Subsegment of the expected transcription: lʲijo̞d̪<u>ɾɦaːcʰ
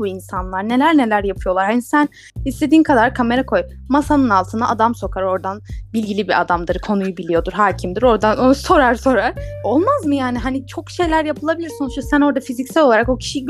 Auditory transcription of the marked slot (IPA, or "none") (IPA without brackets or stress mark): u